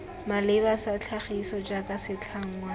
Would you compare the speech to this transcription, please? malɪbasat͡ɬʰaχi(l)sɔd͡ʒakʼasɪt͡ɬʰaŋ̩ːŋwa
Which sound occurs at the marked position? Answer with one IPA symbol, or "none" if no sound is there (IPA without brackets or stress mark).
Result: none